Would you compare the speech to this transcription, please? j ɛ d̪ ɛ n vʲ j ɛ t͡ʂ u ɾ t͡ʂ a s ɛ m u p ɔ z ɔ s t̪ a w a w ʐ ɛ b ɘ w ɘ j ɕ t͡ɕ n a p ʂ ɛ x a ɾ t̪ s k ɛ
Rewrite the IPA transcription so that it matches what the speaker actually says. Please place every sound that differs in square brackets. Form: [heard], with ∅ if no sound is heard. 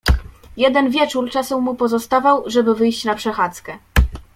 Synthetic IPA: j ɛ d̪ ɛ n vʲ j ɛ t͡ʂ u ɾ t͡ʂ a s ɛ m u p ɔ z ɔ s t̪ a [v] a w ʐ ɛ b ɘ [v] ɘ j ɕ t͡ɕ n a p ʂ ɛ x a [∅] t̪ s k ɛ